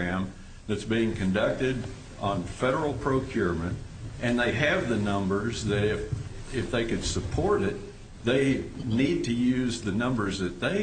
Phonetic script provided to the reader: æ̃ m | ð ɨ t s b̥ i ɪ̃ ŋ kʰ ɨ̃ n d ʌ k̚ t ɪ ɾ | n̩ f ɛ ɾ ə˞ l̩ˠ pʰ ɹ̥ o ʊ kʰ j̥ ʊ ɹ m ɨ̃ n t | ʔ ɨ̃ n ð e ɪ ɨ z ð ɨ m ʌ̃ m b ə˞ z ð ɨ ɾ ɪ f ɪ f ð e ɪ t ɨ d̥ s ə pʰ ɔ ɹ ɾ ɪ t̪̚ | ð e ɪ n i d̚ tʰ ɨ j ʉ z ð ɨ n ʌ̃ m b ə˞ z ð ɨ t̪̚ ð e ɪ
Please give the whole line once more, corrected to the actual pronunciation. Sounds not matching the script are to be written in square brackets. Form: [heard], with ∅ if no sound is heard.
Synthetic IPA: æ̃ m | ð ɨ t s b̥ i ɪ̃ ŋ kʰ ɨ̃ n d ʌ k̚ t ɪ ɾ | n̩ f ɛ ɾ ə˞ l̩ˠ pʰ ɹ̥ o ʊ kʰ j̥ ʊ ɹ m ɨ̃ n t | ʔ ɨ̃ n ð e ɪ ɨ [v] ð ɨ [n] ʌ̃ m b ə˞ z ð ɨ ɾ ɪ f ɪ f ð e ɪ [k] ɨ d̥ s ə pʰ ɔ ɹ ɾ ɪ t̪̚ | ð e ɪ n i d̚ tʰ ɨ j ʉ z ð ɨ n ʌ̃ m b ə˞ z ð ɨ t̪̚ ð e ɪ